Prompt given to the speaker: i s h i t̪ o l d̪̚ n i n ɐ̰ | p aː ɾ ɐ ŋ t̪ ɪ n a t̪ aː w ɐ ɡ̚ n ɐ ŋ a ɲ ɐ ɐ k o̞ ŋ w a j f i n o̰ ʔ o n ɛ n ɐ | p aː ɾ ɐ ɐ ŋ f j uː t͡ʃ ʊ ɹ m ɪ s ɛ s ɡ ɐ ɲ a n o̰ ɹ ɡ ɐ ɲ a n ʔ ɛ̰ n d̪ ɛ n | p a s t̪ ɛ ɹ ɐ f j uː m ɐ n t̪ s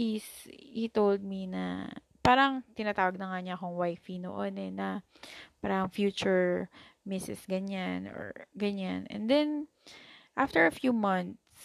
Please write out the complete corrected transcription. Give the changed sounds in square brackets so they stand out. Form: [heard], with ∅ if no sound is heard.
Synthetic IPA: i s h i t̪ o l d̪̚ [m] i n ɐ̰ | p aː ɾ ɐ ŋ t̪ ɪ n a t̪ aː w ɐ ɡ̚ n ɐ ŋ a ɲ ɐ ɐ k o̞ ŋ w a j f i n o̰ ʔ o n ɛ n ɐ | p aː ɾ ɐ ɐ ŋ f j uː t͡ʃ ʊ ɹ m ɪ s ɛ s ɡ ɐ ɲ a n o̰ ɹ ɡ ɐ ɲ a n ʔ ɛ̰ n d̪ ɛ n | [ʔ] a [f] t̪ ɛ ɹ ɐ f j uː m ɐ n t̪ s